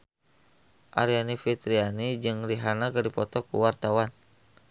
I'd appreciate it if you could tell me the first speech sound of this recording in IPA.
ʔ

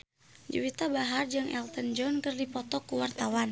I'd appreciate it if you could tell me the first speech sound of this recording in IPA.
d͡ʒ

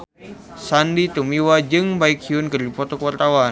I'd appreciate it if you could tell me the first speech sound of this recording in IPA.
s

